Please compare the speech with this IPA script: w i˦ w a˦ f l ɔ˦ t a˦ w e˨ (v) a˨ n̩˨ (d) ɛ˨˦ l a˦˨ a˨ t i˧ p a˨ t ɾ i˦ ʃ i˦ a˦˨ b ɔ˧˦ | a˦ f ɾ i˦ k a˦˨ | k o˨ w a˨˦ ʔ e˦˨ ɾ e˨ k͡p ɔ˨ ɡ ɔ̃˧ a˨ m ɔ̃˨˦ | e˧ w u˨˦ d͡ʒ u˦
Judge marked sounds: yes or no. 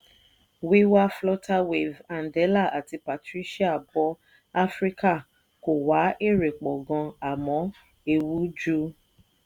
yes, yes

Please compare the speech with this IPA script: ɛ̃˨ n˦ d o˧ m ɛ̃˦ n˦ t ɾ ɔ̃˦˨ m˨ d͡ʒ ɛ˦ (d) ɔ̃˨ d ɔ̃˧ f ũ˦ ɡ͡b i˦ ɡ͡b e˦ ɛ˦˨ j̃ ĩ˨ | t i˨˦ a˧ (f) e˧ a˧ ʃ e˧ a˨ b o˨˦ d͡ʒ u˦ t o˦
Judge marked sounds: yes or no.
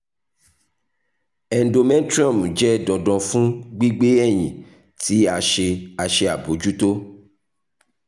yes, no

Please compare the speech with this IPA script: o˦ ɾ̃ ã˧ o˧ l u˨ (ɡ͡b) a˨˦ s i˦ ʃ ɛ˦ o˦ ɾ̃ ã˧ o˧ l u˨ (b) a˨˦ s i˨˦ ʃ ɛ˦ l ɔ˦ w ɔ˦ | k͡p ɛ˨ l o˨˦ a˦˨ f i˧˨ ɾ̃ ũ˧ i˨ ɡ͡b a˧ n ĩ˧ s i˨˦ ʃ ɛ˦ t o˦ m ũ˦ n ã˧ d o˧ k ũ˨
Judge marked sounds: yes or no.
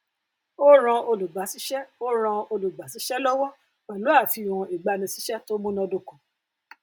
yes, no

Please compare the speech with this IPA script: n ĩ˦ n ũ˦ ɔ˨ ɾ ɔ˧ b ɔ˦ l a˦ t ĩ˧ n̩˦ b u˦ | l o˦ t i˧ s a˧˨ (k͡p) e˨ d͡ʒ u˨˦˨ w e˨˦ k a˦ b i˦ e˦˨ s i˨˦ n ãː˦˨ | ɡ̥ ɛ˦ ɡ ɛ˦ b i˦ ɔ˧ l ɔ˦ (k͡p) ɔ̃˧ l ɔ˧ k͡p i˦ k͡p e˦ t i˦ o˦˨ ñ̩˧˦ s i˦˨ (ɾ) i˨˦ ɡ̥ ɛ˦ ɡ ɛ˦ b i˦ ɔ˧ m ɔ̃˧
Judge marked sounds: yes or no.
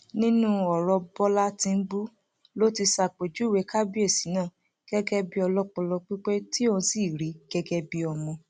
yes, yes, yes

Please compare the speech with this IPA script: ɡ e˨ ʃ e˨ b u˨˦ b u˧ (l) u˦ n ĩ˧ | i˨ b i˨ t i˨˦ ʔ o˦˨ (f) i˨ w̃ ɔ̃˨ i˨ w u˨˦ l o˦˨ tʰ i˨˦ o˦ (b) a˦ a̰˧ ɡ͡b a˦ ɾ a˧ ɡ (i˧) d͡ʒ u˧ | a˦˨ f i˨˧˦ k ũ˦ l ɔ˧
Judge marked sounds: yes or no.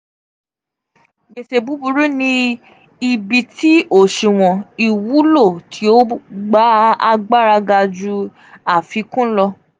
no, no, no, no

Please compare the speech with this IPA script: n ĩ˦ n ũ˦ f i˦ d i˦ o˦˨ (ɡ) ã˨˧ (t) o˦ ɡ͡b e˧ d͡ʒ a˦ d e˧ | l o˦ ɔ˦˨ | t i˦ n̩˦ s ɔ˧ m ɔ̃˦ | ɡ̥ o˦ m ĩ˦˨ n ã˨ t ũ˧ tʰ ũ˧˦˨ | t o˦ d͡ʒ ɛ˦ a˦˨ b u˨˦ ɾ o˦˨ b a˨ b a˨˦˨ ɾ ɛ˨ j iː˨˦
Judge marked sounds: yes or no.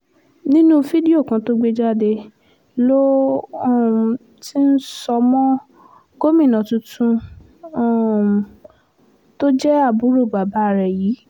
no, yes

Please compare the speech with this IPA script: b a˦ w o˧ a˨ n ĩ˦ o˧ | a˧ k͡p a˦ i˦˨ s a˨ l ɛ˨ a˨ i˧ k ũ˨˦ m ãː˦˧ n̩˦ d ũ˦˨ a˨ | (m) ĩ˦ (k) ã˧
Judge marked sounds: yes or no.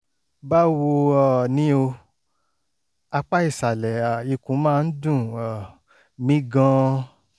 yes, no

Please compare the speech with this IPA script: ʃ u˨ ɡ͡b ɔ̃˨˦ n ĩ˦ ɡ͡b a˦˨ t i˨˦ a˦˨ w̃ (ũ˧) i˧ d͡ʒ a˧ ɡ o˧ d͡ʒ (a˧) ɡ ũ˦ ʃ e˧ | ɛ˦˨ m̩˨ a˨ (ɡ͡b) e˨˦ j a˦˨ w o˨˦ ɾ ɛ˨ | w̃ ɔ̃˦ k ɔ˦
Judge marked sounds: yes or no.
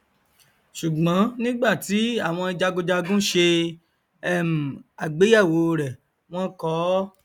no, yes, yes

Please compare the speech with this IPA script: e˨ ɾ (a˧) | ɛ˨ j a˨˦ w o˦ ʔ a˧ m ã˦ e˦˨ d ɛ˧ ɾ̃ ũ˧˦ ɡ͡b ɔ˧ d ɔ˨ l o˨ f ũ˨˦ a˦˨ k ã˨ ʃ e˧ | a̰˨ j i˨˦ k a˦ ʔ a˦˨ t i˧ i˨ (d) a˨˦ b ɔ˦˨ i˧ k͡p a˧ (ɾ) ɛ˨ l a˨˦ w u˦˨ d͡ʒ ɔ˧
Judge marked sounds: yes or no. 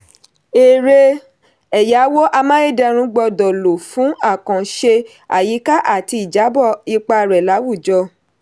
no, no, yes

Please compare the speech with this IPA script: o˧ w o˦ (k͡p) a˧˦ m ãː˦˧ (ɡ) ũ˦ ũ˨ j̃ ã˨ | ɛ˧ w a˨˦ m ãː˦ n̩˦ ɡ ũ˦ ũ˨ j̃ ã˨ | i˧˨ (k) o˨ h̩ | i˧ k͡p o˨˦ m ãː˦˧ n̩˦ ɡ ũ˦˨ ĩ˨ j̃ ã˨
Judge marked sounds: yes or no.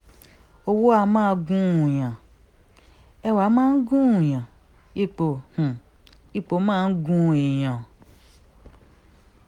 no, yes, no

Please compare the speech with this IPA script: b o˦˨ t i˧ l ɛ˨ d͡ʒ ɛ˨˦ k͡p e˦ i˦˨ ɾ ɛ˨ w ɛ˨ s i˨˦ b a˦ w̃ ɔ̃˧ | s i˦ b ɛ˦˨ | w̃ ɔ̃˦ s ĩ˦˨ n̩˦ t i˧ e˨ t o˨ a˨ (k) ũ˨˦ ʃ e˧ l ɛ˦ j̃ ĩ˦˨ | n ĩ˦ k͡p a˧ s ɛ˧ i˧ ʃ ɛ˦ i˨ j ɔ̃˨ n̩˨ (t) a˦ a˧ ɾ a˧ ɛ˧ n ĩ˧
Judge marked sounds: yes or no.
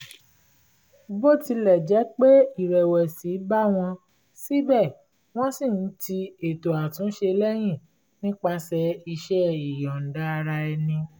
no, no

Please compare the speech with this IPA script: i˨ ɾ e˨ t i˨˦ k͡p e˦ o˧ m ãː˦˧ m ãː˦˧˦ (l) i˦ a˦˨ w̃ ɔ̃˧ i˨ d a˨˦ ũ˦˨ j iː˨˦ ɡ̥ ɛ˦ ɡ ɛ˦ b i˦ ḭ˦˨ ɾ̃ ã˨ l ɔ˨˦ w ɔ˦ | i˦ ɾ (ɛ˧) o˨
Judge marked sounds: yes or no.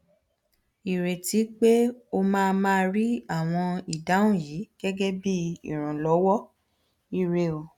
no, no

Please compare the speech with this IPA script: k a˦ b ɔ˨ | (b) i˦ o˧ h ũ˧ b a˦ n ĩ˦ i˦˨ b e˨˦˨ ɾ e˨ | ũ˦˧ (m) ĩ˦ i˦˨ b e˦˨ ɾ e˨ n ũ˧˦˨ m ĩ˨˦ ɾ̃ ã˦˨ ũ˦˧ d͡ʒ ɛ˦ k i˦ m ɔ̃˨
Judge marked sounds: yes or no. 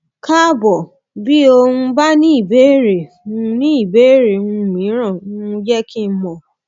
yes, no

